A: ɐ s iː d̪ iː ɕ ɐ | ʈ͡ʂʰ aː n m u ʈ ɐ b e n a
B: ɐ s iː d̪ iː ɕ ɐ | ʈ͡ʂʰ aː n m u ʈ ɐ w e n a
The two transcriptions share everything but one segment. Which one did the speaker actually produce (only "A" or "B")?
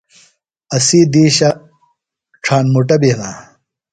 A